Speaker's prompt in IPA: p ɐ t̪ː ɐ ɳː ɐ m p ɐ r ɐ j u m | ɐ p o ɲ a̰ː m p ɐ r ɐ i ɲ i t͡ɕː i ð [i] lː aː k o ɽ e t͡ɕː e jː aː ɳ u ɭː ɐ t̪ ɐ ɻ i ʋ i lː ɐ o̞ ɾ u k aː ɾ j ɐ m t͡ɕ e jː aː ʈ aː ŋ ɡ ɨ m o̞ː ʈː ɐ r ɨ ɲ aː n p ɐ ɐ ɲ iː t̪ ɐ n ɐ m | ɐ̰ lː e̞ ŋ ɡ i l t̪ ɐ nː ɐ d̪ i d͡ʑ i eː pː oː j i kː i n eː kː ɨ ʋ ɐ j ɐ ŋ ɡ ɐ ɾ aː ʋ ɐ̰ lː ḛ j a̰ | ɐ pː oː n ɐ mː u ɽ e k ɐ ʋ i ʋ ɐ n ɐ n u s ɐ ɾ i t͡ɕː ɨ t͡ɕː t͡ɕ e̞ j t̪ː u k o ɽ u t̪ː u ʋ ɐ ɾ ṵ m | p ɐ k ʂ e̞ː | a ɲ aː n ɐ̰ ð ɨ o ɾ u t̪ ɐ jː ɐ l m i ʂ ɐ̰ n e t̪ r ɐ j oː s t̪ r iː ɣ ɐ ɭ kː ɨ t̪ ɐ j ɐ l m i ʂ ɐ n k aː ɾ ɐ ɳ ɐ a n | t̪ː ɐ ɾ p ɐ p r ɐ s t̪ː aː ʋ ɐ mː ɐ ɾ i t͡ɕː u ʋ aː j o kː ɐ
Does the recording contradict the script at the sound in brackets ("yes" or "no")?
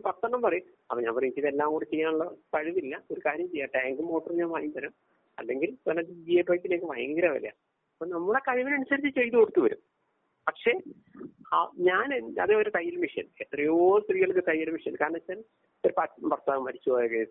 yes